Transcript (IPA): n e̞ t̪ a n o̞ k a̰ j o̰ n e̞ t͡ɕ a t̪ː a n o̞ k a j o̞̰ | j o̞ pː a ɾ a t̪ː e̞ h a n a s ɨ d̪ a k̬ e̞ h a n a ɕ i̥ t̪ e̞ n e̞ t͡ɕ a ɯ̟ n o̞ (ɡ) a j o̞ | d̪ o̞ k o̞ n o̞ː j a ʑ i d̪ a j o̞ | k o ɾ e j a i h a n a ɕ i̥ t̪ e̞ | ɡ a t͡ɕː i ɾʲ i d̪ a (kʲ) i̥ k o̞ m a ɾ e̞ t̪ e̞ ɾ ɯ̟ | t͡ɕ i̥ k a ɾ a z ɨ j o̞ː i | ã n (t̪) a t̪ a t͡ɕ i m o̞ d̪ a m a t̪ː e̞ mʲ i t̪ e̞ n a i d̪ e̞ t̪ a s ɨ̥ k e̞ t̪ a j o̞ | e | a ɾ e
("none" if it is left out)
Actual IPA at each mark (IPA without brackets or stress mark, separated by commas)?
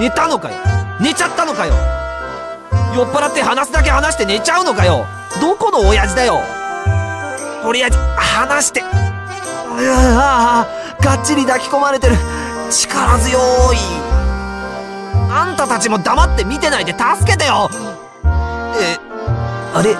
k, kʲ, t̪